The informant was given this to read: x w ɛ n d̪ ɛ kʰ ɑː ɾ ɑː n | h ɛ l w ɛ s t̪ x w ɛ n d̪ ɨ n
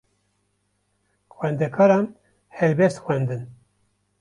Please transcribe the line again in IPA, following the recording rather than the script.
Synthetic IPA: x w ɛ n d̪ ɛ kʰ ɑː ɾ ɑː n | h ɛ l b ɛ s t̪ x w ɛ n d̪ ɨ n